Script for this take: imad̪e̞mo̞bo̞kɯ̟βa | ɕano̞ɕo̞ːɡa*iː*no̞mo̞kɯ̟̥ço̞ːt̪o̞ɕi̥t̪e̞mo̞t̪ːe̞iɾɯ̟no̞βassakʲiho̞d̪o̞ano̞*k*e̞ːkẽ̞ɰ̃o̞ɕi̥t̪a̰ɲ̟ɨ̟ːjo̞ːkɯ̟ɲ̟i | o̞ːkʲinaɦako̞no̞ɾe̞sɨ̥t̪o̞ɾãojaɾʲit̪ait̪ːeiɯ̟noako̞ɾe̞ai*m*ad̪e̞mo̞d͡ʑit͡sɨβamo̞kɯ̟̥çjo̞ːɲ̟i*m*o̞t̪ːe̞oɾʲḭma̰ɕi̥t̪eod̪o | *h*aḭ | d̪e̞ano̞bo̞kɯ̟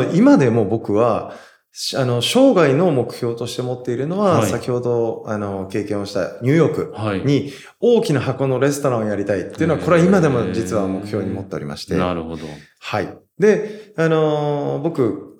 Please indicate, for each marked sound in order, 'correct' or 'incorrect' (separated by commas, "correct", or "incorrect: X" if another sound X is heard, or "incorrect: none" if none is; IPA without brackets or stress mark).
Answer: incorrect: i, correct, correct, correct, correct